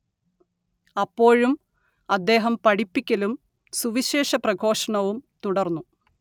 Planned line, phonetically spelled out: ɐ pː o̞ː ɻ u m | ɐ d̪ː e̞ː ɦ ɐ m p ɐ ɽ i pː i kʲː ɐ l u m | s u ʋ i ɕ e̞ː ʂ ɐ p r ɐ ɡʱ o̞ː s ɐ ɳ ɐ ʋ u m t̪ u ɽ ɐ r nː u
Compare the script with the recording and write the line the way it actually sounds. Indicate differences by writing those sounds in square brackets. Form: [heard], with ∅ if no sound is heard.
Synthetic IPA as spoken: ɐ pː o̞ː ɻ u m | ɐ d̪ː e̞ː ɦ ɐ m p ɐ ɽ i pː i kʲː ɐ l u m | s u ʋ i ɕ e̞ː ʂ ɐ p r ɐ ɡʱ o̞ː [ʂ] ɐ ɳ ɐ ʋ u m t̪ u ɽ ɐ r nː u

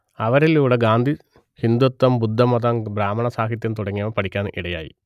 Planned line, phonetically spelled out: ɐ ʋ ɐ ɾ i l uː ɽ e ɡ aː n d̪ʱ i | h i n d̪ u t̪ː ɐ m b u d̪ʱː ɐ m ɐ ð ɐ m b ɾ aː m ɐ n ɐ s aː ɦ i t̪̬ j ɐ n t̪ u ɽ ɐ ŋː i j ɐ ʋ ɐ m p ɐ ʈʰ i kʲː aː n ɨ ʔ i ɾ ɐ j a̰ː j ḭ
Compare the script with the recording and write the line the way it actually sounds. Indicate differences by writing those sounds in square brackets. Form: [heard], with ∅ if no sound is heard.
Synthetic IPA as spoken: ɐ ʋ ɐ ɾ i l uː ɽ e ɡ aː n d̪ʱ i | h i n d̪ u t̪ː ɐ m b u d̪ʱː ɐ m ɐ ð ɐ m b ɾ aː m ɐ [ɳ] ɐ s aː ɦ i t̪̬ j ɐ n t̪ u ɽ ɐ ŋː i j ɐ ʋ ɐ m p ɐ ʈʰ i kʲː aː n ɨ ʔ i [ɽ] ɐ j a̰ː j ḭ

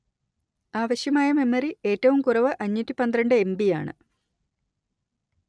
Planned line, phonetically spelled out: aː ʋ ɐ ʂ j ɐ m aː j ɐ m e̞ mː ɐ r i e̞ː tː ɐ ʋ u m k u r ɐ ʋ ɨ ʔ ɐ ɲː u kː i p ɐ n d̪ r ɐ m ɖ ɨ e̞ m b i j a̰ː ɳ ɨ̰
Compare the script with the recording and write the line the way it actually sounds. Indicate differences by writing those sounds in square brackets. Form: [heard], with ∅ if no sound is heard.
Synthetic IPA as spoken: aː ʋ ɐ [ɕ] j ɐ m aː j ɐ m e̞ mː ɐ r i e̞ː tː ɐ ʋ u m k u r ɐ ʋ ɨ ʔ ɐ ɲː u [tː] i p ɐ n d̪ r ɐ [ɳ] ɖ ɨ e̞ m b i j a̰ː ɳ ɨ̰

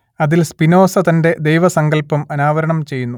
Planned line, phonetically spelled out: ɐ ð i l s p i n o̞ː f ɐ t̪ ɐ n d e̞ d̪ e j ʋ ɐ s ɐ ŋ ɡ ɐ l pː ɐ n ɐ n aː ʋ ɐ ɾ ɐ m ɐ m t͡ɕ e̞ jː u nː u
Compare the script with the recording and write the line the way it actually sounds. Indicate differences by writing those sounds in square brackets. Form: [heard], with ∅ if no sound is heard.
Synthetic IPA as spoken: ɐ ð i l s p i n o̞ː [s] ɐ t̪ ɐ n d e̞ d̪ e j ʋ ɐ s ɐ ŋ ɡ ɐ l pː ɐ [m] ɐ n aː ʋ ɐ ɾ ɐ [ɳ] ɐ m t͡ɕ e̞ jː u nː u

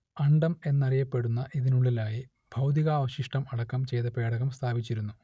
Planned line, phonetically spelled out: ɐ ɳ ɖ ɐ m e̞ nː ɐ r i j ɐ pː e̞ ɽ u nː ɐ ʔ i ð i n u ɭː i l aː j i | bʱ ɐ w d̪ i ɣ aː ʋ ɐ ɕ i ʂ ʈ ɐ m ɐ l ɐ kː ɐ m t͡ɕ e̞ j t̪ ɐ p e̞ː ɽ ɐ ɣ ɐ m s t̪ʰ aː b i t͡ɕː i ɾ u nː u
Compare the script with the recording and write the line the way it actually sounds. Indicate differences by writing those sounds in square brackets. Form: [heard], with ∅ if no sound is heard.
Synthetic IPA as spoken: ɐ ɳ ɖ ɐ m e̞ nː ɐ r i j ɐ pː e̞ ɽ u nː ɐ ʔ i ð i n u ɭː i l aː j i | bʱ ɐ w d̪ i ɣ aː ʋ ɐ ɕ i ʂ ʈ ɐ m ɐ [ɽ] ɐ kː ɐ m t͡ɕ e̞ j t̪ ɐ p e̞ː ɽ ɐ ɣ ɐ m s t̪ʰ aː b i t͡ɕː i ɾ u nː u

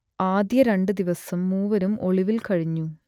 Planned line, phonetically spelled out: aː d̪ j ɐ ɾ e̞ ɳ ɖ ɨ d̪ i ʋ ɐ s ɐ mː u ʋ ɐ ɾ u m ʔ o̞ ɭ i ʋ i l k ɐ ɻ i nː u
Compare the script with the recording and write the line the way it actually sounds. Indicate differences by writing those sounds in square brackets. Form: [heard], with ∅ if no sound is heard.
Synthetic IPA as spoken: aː d̪ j ɐ ɾ e̞ ɳ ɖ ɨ d̪ i ʋ ɐ s ɐ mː [uː] ʋ ɐ ɾ u m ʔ o̞ ɭ i ʋ i l k ɐ ɻ i [ɲː] u

